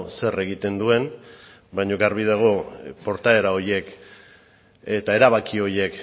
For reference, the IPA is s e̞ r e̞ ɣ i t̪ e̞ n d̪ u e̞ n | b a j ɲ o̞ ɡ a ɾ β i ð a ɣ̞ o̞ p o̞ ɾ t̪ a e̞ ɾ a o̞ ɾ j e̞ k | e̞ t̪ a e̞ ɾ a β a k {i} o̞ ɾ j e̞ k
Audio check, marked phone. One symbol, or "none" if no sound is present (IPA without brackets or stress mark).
i